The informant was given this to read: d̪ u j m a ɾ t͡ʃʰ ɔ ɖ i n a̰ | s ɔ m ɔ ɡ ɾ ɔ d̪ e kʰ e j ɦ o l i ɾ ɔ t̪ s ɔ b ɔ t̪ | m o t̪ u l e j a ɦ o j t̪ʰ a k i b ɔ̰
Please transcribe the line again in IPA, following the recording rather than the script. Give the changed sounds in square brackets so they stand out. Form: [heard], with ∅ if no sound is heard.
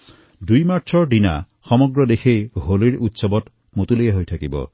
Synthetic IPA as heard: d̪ u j m a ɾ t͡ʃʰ ɔ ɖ i n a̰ | [x] ɔ m ɔ ɡ ɾ ɔ d̪ e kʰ e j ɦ o l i ɾ [u] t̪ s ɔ b ɔ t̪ | m o t̪ u l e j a ɦ o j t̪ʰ a k i b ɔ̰